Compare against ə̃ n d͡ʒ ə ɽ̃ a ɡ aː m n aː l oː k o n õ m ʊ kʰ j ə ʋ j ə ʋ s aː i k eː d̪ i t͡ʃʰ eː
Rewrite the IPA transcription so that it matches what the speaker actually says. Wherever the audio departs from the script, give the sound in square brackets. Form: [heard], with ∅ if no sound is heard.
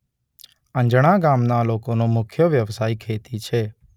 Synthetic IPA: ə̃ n d͡ʒ ə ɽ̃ a ɡ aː m n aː l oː k o n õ m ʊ kʰ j ə ʋ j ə ʋ s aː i [kʰ] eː [t̪] i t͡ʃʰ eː